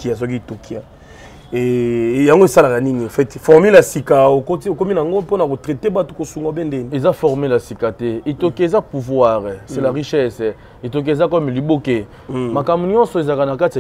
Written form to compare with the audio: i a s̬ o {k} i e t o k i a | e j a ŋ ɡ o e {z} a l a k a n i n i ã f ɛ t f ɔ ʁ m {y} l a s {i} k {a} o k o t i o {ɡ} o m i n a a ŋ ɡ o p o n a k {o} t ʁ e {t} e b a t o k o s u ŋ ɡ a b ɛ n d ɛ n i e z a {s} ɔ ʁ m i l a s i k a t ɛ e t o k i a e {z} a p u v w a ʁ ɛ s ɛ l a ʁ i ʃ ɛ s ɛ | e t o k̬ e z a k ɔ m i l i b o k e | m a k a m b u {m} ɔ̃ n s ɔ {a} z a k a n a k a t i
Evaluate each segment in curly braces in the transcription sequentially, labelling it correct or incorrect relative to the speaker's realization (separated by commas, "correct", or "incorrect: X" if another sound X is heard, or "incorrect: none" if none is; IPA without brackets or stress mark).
correct, incorrect: s, incorrect: i, correct, correct, incorrect: k, correct, correct, incorrect: f, correct, incorrect: ɲ, incorrect: e